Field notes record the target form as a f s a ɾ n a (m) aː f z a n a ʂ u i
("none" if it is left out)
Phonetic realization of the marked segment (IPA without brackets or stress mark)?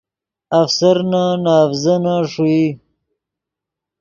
n